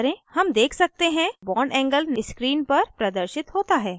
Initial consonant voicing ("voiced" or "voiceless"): voiced